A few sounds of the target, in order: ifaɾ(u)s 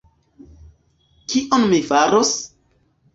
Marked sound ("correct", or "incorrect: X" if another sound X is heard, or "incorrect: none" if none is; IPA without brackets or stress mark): incorrect: o